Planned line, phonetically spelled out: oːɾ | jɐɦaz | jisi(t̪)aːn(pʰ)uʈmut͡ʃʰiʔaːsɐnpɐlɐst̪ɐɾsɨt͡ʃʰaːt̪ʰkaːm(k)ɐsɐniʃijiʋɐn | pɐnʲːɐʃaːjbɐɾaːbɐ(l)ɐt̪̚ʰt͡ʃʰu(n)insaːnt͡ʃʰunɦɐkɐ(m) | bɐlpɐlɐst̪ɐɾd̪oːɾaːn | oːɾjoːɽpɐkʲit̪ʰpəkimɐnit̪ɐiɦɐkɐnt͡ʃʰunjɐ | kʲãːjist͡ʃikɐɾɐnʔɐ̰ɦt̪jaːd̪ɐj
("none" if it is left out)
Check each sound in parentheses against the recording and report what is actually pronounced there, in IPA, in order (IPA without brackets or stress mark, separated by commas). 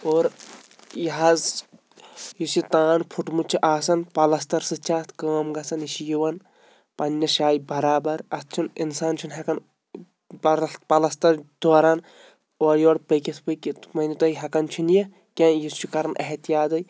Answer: t̪, pʰ, ɡ, ɾ, n, n